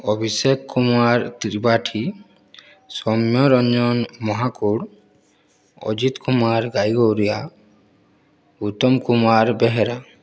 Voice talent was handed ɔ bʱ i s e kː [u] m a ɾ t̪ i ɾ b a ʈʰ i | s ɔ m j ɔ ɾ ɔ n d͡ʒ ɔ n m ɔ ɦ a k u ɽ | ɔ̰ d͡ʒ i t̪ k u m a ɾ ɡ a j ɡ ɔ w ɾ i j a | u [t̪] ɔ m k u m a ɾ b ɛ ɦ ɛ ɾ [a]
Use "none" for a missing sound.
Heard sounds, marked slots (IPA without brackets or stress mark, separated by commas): u, t̪, a